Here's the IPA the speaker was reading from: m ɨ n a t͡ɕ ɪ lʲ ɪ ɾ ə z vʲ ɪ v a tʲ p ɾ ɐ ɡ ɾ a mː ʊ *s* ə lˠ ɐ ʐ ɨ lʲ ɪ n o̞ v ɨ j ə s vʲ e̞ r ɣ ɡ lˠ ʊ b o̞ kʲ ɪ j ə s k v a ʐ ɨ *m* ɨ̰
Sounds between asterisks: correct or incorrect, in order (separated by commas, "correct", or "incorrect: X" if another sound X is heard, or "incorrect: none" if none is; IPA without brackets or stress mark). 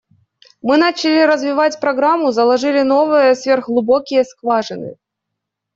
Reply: incorrect: z, incorrect: n